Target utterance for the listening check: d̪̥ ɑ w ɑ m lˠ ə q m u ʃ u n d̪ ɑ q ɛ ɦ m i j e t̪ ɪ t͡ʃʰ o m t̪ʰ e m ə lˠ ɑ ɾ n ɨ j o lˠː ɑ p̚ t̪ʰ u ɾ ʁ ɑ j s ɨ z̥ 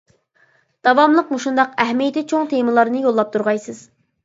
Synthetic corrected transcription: d̪̥ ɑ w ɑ m lˠ ə q m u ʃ u n d̪ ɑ q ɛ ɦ m i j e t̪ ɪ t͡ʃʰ o ŋ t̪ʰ e m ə lˠ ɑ ɾ n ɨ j o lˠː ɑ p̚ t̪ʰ u ɾ ʁ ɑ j s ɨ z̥